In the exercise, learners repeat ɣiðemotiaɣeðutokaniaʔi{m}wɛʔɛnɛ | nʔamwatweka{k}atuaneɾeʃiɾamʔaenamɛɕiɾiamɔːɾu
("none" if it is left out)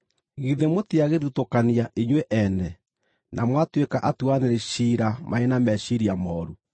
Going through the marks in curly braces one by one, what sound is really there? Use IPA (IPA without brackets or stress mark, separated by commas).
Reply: ɲ, ʔ